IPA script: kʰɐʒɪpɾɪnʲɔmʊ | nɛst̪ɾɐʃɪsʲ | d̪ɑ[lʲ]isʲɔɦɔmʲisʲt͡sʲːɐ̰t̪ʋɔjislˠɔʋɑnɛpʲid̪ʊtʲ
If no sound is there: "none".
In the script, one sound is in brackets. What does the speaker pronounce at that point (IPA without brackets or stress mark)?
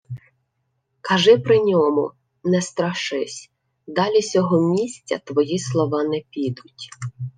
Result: lʲ